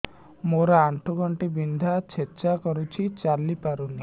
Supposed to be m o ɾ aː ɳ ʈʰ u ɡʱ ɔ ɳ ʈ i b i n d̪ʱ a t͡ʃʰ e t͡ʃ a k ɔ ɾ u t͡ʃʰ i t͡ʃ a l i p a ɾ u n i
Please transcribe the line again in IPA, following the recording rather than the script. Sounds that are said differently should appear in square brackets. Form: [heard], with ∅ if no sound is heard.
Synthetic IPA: m o ɾ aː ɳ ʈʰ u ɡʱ ɔ ɳ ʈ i b i n d̪ʱ a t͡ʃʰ e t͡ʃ a k ɔ ɾ u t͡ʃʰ i t͡ʃ a l i p a ɾ u n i